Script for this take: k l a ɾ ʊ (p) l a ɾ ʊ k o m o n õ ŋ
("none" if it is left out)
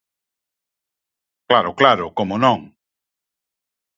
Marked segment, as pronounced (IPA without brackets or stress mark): k